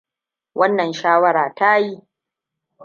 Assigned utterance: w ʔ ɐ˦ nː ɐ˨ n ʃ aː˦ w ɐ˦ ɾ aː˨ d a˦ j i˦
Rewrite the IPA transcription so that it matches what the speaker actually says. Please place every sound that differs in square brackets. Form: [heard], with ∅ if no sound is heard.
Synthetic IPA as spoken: w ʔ ɐ˦ nː ɐ˨ n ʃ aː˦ w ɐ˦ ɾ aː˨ [t] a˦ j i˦